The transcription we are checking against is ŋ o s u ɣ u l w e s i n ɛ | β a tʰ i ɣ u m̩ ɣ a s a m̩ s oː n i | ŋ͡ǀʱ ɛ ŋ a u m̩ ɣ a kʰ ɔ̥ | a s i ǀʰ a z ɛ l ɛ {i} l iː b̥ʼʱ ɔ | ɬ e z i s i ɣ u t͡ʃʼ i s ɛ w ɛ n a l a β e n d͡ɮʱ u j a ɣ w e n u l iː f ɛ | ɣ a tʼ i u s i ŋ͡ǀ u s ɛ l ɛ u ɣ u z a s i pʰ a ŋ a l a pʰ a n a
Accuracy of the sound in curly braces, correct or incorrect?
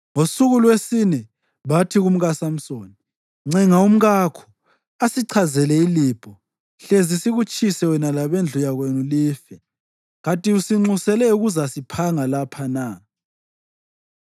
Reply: correct